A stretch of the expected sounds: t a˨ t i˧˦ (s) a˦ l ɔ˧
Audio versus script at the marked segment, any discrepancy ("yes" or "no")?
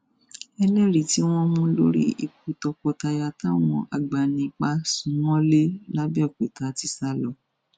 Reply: no